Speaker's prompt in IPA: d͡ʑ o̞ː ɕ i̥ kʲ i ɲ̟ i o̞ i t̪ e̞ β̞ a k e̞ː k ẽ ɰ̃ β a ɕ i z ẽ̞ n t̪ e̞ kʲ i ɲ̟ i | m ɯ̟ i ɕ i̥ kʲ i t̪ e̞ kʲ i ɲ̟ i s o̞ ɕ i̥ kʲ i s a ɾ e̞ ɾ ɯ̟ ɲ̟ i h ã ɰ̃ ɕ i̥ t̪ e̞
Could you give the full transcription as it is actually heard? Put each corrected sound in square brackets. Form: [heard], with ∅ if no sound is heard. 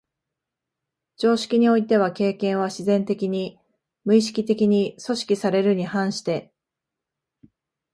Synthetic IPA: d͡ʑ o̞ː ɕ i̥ kʲ i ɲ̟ i o̞ i t̪ e̞ β̞ a k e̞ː k ẽ ɰ̃ β a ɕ i z ẽ̞ n t̪ e̞ kʲ i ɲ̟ i | m ɯ̟ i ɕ i̥ kʲ i t̪ e̞ kʲ i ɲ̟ i s o̞ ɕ i̥ kʲ i s a ɾ e̞ ɾ ɯ̟ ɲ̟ i h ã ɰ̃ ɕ i̥ t̪ e̞